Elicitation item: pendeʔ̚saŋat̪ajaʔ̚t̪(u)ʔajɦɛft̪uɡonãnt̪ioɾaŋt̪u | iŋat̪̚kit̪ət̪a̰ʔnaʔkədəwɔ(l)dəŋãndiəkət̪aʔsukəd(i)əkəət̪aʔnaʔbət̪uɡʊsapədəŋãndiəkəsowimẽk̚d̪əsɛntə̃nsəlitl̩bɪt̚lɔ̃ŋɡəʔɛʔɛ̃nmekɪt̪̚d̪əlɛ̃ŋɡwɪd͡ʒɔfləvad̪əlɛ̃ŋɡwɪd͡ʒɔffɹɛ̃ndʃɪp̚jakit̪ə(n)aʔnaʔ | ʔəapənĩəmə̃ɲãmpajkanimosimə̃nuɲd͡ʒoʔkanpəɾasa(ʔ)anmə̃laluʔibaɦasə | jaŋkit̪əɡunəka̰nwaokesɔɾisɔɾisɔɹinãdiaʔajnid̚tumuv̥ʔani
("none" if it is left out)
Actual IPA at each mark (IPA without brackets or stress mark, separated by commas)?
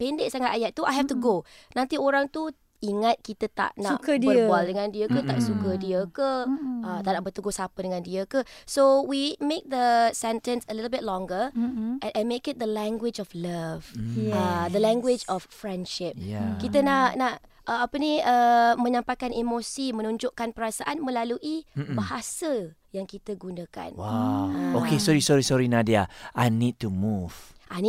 u, l, i, n, ʔ